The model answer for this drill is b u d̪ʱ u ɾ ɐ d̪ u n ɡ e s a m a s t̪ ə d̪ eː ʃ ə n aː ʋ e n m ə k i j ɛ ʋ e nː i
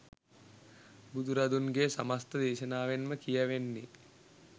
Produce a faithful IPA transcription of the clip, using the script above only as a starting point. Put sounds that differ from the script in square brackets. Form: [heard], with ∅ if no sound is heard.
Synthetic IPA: b u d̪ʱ u ɾ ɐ d̪ u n ɡ e s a m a s t̪ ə d̪ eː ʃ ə n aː ʋ e n m ə k i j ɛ ʋ e nː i